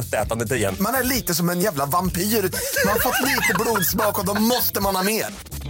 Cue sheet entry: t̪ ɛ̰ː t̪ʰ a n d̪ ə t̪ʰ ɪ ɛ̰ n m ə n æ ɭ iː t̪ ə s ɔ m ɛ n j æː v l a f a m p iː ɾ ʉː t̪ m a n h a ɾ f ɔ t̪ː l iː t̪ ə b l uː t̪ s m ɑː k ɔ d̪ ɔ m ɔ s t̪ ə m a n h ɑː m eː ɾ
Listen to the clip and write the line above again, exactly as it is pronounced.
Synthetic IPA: t̪ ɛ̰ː t̪ a n d̪ ə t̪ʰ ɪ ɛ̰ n m a n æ ɭ iː t̪ ə s ɔ m ɛ n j æː v l a v a m p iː ɾ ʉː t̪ m a n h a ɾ f ɔ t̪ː l iː t̪ ə b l uː d̪ s m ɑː k ɔ d̪ ɔ m ɔ s t̪ ə m a n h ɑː m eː ɾ